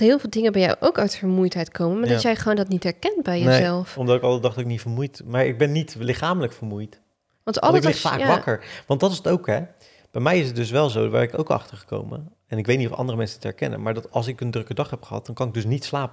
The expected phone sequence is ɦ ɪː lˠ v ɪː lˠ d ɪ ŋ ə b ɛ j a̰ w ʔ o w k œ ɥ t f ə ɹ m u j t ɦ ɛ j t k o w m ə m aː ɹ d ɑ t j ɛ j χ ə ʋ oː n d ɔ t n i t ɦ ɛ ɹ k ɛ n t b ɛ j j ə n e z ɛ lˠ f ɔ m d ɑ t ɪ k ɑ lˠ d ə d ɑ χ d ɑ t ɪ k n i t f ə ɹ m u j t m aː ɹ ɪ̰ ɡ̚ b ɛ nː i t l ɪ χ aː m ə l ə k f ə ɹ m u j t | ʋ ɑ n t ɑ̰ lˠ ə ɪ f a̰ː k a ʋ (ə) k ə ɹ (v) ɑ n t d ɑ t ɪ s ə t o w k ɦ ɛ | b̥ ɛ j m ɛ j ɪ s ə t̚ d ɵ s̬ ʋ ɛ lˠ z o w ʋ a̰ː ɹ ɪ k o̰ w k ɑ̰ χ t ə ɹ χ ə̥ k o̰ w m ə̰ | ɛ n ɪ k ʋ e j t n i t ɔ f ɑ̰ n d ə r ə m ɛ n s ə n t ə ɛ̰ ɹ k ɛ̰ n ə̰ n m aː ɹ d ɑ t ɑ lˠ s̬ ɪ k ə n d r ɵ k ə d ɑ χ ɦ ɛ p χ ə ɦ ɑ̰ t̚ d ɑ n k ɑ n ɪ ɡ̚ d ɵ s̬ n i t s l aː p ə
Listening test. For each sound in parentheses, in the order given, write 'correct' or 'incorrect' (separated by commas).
incorrect, incorrect